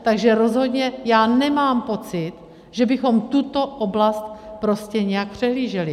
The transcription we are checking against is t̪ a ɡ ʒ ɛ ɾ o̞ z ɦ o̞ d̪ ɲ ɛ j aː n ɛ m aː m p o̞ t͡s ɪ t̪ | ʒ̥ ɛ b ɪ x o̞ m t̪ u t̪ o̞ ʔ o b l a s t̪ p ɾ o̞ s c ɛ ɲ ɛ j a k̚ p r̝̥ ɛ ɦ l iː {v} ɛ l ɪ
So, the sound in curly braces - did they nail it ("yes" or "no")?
no